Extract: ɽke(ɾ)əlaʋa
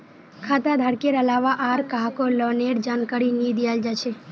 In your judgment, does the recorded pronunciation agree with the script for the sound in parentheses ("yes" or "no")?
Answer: yes